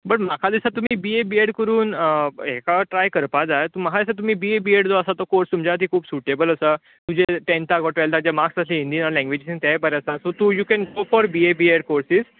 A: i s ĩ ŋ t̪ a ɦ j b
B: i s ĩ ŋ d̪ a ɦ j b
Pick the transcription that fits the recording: A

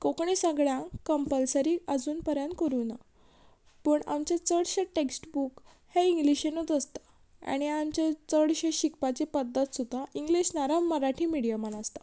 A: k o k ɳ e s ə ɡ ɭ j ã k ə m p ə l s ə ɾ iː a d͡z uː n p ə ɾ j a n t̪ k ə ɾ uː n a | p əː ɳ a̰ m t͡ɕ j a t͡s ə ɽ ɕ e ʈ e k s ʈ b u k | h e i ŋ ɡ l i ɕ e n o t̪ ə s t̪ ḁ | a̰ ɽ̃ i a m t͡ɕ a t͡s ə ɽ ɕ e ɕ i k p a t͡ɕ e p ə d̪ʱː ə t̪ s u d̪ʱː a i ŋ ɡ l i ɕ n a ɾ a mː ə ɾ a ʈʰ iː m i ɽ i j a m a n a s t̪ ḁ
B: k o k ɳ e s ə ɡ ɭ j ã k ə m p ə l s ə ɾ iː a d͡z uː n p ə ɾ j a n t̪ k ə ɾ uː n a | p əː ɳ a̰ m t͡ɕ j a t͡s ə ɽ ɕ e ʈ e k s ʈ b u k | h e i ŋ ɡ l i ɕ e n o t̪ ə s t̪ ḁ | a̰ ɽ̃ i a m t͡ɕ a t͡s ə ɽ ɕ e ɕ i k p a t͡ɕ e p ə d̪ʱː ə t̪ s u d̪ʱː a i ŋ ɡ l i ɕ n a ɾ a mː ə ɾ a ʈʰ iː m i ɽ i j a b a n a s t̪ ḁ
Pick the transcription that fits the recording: A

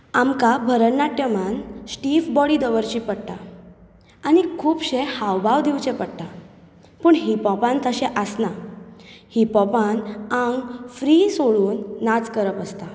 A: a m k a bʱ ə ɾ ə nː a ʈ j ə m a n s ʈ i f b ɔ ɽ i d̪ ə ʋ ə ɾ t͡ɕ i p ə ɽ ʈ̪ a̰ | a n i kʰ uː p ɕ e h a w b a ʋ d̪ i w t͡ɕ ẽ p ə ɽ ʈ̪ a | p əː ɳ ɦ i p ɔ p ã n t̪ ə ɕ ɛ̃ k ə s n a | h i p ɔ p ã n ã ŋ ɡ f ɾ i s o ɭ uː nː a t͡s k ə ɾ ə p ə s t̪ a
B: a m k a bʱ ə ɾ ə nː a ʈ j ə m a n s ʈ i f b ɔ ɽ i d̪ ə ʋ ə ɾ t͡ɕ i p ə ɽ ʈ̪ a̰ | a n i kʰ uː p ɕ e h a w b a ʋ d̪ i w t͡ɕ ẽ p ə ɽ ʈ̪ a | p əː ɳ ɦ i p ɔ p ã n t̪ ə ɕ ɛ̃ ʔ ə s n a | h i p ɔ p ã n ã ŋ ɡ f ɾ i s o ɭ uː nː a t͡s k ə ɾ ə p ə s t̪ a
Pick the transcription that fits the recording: B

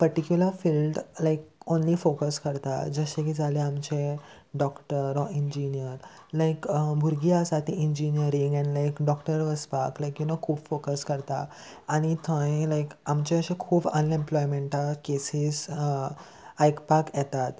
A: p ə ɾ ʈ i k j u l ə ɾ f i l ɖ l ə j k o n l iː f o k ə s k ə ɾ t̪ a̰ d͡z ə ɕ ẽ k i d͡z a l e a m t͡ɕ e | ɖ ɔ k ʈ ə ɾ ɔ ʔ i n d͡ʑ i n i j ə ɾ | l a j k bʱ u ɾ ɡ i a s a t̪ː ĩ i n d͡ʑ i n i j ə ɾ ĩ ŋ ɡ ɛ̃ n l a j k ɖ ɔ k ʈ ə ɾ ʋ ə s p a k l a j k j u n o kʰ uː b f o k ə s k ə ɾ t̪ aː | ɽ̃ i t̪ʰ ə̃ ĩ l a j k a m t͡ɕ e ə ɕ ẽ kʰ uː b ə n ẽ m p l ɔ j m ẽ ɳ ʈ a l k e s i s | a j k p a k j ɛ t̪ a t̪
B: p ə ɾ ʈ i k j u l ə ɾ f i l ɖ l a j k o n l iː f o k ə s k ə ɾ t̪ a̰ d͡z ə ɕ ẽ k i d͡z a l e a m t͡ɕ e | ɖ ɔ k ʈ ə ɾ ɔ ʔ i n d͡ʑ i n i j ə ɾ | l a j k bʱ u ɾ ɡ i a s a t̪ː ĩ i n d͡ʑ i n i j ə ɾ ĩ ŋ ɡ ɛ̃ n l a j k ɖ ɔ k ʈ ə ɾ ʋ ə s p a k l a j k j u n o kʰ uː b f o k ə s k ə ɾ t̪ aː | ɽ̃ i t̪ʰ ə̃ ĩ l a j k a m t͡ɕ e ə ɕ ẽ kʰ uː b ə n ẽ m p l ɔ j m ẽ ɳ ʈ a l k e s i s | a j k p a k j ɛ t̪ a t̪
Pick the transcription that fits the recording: B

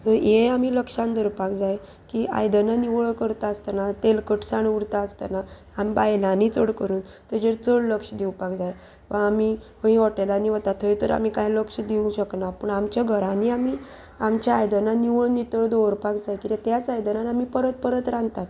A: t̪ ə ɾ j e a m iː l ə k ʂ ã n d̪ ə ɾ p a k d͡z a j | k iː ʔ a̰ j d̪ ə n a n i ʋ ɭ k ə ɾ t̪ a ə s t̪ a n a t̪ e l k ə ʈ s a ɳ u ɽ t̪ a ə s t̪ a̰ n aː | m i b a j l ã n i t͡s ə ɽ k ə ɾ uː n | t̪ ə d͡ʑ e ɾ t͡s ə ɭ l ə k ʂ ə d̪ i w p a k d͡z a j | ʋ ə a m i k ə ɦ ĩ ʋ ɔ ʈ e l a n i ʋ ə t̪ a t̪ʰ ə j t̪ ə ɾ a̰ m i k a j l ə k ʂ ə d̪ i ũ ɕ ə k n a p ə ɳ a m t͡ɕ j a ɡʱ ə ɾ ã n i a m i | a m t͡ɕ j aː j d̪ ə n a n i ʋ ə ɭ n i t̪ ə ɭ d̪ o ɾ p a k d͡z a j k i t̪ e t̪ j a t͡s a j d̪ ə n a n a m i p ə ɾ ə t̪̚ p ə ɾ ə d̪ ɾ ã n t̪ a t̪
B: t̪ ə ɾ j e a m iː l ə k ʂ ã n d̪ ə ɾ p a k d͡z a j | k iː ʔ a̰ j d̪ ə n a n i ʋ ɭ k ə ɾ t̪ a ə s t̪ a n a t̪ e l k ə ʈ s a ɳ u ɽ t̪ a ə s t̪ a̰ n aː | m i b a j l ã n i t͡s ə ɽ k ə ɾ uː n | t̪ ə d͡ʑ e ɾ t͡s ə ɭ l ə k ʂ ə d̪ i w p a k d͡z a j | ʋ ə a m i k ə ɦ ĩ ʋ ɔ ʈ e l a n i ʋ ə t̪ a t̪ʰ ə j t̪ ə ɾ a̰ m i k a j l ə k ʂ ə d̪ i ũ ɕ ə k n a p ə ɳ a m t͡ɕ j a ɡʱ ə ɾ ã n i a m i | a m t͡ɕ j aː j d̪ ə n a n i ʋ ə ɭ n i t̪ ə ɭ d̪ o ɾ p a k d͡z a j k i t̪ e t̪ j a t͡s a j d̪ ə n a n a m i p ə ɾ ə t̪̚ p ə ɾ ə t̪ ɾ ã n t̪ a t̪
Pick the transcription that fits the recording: B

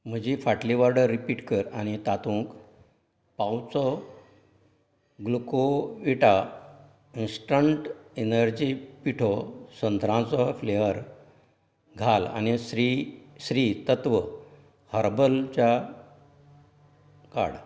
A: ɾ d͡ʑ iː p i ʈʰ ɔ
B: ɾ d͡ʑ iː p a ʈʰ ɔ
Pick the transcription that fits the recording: A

